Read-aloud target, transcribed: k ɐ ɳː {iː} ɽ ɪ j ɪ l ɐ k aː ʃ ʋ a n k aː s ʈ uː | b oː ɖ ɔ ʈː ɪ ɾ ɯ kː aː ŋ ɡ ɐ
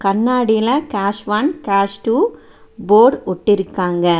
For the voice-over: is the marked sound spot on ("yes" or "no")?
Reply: no